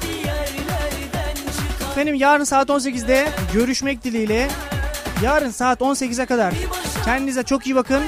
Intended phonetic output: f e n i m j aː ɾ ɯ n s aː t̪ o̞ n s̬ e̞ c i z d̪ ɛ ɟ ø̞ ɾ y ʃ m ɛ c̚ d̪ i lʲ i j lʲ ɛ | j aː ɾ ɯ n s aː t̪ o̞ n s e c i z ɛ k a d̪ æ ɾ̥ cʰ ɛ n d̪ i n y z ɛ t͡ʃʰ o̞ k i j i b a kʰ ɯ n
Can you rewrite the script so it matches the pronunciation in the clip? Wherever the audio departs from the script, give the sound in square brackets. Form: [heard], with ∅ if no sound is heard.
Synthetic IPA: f e n i m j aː ɾ ɯ n s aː t̪ o̞ n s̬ e̞ c i z d̪ ɛ ɟ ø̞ ɾ y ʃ m ɛ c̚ d̪ i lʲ i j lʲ ɛ | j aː ɾ ɯ n s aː t̪ o̞ n s e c i z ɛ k a d̪ [a] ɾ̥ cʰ ɛ n d̪ i n [i] z ɛ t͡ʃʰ o̞ k i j i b a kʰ ɯ n